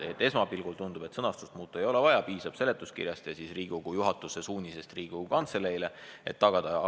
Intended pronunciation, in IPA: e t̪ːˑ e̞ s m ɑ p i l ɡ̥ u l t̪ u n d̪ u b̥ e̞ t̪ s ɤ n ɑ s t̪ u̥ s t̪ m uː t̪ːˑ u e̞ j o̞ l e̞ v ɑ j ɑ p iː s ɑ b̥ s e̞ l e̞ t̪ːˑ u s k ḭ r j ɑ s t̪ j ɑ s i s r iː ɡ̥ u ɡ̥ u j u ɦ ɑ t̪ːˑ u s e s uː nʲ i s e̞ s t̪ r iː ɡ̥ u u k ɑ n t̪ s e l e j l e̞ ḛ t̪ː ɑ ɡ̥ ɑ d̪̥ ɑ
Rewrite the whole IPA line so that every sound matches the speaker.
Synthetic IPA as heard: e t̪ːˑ e̞ s m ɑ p i l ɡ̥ u l t̪ u n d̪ u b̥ e̞ t̪ s ɤ n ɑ s t̪ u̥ s t̪ m uː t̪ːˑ u e̞ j o̞ l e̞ v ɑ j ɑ p iː s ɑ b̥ s e̞ l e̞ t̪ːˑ u s k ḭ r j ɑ s t̪ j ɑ s i s r iː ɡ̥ u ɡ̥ u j u ɦ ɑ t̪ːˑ u s e s uː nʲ i s e̞ s t̪ r iː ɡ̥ u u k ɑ n t̪ s e l e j l e̞ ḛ t̪ː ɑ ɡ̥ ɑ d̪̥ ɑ